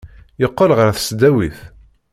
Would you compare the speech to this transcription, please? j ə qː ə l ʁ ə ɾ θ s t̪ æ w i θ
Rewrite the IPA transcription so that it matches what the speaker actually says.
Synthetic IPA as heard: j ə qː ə l ʁ ə ɾ θ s d̪ æ w i θ